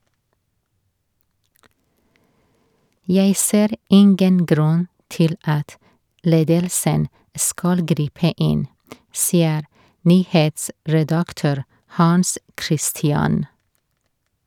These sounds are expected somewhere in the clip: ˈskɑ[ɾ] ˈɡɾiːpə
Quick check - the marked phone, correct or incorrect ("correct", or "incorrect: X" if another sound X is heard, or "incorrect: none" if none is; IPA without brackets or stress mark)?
incorrect: l